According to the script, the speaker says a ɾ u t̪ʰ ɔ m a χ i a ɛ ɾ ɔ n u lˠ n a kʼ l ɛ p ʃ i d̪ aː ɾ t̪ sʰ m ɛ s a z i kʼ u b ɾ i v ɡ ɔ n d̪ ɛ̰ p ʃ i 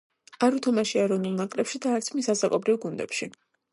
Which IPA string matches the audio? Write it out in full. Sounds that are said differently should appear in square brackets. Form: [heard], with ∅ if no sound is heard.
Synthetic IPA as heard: a ɾ u t̪ʰ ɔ m a [ʃ] i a ɛ ɾ ɔ n u lˠ n a kʼ l ɛ p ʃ i d̪ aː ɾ t̪ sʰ m [i] s a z [a] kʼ [ɔ] b ɾ i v ɡ [u] n d̪ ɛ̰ p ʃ i